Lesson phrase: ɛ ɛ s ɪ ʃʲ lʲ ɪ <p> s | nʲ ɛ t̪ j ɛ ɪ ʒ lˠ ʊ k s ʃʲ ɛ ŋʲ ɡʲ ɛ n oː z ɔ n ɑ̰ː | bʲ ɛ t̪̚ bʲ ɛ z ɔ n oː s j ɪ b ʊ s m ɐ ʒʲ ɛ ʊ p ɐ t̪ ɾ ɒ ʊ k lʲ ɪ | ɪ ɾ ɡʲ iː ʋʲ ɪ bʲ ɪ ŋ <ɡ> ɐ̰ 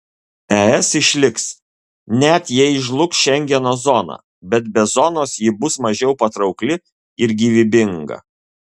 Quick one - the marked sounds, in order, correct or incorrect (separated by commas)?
incorrect, correct